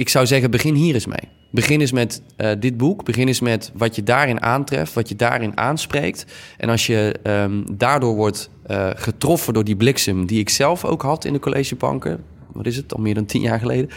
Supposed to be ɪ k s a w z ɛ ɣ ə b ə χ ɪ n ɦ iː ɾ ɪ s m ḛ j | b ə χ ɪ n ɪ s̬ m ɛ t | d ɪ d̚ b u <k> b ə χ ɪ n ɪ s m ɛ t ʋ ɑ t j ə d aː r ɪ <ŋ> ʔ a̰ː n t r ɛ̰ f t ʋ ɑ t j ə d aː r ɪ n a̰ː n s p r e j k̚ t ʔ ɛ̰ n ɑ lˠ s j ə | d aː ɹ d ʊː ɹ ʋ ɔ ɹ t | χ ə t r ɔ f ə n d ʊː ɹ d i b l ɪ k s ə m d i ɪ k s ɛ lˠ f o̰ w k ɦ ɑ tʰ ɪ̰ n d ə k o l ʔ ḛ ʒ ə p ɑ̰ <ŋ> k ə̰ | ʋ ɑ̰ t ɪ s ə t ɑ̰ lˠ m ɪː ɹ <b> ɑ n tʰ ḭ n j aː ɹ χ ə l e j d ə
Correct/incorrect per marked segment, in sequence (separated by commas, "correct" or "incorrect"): correct, incorrect, correct, incorrect